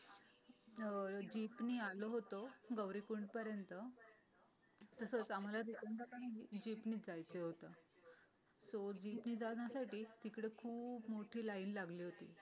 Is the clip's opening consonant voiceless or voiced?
voiced